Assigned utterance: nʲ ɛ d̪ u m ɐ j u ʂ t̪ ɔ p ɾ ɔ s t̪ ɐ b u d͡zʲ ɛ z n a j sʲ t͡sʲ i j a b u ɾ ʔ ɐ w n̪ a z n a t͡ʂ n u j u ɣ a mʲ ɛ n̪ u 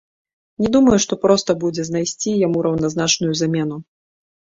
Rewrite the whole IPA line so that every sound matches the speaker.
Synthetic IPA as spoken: nʲ ɛ d̪ u m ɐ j u ʂ t̪ ɔ p ɾ ɔ s t̪ ɐ b u d͡zʲ ɛ z n a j sʲ t͡sʲ i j a m u ɾ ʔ ɐ w n̪ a z n a t͡ʂ n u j u z a mʲ ɛ n̪ u